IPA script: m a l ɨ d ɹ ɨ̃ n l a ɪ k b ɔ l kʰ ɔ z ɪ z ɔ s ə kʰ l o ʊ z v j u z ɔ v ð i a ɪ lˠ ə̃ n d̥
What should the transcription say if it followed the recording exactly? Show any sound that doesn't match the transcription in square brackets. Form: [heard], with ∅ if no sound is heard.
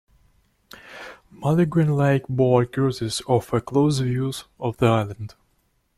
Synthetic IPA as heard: m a l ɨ [ɡ] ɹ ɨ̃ n l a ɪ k b ɔ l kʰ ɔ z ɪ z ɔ [f] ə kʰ l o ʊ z v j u z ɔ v ð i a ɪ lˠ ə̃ n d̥